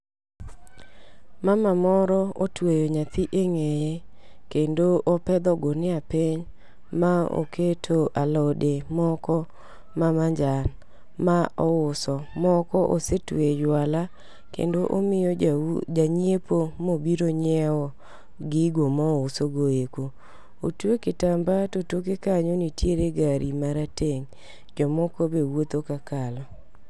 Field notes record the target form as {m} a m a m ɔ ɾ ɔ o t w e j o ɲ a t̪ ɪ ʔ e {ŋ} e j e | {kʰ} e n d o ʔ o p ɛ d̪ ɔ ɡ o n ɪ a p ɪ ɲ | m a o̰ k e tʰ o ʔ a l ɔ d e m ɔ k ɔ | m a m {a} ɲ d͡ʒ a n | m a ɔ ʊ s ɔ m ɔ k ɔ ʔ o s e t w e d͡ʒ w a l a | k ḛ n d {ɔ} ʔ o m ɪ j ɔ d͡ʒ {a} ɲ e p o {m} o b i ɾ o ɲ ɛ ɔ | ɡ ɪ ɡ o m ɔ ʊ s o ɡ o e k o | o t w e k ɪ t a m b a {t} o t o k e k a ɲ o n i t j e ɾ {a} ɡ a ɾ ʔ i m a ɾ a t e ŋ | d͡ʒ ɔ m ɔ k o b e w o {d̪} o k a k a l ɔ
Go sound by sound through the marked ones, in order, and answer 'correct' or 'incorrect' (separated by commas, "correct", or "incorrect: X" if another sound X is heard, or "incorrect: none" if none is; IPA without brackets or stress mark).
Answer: correct, correct, incorrect: k, correct, incorrect: o, correct, correct, correct, incorrect: e, incorrect: t̪